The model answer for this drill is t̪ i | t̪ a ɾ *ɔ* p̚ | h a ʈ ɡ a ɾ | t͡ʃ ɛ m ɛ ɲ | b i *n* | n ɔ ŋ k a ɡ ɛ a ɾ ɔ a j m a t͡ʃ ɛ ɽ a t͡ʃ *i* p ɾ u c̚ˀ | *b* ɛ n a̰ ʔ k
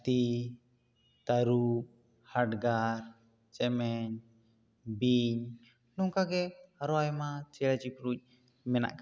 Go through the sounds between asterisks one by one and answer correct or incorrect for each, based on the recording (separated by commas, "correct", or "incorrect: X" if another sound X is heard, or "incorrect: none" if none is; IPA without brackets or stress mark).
incorrect: u, incorrect: ɲ, correct, incorrect: m